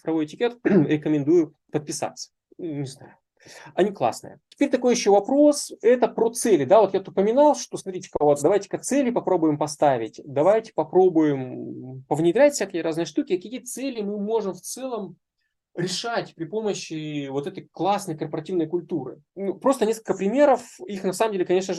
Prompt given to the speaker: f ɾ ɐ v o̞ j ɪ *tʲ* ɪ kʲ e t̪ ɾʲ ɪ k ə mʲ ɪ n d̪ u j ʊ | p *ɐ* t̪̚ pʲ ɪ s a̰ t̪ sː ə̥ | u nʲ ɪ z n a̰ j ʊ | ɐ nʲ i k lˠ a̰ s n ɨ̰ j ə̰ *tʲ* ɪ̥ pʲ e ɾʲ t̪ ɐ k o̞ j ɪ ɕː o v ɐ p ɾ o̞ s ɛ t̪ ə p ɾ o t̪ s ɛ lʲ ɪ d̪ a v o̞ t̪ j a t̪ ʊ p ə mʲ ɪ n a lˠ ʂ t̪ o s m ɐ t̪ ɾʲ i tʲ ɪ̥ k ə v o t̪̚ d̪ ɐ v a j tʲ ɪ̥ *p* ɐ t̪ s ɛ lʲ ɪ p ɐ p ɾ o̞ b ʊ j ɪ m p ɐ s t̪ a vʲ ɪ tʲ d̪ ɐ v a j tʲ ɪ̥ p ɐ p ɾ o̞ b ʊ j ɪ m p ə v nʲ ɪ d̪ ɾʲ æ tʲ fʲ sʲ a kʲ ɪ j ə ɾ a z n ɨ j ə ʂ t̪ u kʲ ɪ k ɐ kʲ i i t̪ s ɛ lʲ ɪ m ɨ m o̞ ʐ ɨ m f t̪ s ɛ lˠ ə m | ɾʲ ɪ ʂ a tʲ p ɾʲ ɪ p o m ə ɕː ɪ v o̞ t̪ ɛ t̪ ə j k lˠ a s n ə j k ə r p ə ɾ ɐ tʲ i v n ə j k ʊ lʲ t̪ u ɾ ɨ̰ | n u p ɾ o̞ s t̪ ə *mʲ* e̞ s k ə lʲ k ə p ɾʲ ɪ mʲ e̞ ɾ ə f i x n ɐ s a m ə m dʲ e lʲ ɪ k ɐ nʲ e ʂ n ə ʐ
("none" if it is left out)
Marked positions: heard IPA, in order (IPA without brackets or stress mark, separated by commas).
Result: tʲ, ə, tʲ, k, nʲ